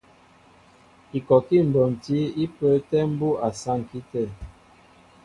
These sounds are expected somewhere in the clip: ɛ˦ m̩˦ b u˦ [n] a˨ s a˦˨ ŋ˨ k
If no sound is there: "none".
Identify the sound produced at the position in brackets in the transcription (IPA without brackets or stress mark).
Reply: none